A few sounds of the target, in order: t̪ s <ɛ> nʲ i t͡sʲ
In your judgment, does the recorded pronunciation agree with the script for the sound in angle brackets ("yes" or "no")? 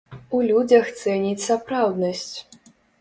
yes